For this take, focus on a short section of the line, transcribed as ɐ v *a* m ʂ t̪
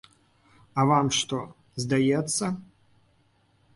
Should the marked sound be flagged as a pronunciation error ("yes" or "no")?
no